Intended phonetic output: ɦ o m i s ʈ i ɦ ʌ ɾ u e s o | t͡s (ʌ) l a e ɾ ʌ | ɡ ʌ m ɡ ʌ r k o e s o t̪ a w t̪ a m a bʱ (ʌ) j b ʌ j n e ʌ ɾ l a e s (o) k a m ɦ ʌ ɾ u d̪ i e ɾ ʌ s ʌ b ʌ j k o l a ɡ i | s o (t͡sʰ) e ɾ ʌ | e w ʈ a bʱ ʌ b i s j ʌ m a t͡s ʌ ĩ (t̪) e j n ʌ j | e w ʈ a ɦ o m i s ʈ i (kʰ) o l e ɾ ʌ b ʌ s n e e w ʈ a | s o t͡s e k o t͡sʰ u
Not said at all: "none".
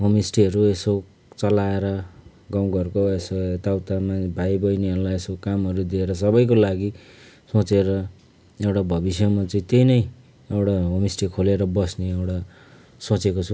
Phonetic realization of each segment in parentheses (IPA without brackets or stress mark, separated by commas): ʌ, a, o, t͡s, t̪, kʰ